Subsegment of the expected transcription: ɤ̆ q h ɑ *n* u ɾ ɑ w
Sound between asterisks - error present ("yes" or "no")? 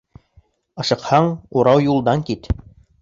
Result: yes